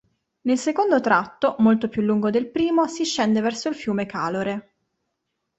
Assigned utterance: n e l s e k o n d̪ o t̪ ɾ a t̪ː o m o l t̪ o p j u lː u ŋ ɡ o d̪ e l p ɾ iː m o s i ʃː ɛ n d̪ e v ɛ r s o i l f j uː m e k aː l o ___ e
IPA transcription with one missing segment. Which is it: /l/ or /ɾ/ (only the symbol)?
ɾ